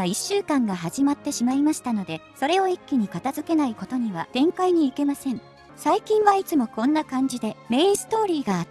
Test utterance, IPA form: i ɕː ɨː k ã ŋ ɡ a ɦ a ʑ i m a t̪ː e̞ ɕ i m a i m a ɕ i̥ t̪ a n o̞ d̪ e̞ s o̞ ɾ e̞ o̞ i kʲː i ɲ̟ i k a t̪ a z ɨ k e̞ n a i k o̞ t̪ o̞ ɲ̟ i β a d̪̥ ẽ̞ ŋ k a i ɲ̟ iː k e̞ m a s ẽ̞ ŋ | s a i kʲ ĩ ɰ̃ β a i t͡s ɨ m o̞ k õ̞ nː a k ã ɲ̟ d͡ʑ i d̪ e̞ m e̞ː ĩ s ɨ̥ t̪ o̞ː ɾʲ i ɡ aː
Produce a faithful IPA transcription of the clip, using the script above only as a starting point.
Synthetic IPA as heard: i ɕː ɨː k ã ŋ ɡ a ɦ a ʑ i m a t̪ː e̞ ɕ i m a i m a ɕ i̥ t̪ a n o̞ d̪ e̞ s o̞ ɾ e̞ o̞ i kʲː i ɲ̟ i k a t̪ a z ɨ k e̞ n a i k o̞ t̪ o̞ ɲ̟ i β a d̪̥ ẽ̞ ŋ k a i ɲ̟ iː k e̞ m a s ẽ̞ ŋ | s a i kʲ ĩ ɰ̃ β a i t͡s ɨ m o̞ k õ̞ nː a k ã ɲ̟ d͡ʑ i d̪ e̞ m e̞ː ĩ s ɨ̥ t̪ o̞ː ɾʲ iː ɡ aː